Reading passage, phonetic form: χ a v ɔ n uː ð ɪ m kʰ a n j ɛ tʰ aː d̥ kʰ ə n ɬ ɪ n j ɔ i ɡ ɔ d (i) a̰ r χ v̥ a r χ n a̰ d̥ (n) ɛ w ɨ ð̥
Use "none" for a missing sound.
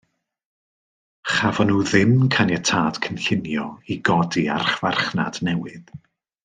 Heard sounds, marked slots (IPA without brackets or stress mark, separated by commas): i, n